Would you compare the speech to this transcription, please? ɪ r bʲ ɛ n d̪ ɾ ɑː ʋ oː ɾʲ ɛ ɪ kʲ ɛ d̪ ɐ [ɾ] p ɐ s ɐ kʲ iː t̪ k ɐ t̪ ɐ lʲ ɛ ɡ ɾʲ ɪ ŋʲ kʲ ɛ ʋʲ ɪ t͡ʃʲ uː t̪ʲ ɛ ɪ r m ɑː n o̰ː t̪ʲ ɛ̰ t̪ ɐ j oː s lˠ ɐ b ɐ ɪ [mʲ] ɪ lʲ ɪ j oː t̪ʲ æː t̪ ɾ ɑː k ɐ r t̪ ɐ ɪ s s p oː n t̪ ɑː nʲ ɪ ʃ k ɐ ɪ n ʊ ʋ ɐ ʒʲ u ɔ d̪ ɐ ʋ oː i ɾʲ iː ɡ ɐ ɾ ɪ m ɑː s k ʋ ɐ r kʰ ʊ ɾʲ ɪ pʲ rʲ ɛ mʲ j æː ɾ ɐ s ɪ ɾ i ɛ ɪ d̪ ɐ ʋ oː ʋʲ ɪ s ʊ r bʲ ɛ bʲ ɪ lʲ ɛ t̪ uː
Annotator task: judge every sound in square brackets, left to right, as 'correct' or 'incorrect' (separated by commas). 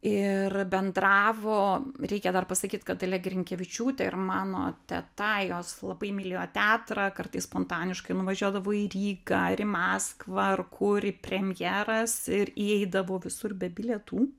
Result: incorrect, correct